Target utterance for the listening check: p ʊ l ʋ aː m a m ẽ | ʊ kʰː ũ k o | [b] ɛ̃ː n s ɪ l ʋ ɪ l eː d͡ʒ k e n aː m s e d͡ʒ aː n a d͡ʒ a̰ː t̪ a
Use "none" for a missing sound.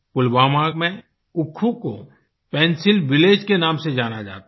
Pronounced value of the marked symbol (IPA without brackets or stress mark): p